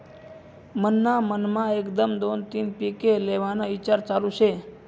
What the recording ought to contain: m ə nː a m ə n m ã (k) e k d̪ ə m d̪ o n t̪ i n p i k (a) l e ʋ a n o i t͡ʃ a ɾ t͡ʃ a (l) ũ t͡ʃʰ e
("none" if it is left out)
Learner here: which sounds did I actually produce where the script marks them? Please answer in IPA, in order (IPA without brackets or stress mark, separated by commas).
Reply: none, e, l